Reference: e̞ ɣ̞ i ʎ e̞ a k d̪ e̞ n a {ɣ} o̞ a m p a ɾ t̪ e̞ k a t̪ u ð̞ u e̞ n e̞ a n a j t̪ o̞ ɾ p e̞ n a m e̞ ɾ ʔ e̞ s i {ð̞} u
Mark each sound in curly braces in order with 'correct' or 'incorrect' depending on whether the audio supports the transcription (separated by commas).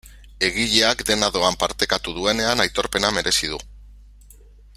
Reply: incorrect, correct